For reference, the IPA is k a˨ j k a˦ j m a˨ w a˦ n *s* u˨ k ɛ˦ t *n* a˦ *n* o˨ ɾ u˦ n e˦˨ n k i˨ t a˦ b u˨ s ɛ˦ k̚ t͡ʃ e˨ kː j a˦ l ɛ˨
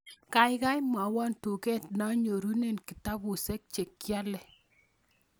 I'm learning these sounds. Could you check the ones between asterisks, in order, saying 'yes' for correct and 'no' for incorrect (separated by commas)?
no, yes, no